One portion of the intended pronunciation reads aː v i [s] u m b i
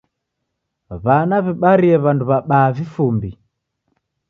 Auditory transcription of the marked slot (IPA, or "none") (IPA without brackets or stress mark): f